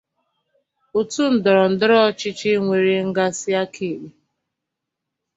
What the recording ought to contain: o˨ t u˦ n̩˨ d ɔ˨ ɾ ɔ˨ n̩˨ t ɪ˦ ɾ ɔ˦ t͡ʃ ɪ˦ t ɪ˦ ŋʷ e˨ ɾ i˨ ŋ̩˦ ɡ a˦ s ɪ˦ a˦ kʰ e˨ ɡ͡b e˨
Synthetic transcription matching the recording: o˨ t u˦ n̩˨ d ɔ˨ ɾ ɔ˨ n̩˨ d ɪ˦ ɾ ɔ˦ t͡ʃ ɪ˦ t͡ʃ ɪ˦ ŋʷ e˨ ɾ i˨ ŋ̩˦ ɡ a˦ s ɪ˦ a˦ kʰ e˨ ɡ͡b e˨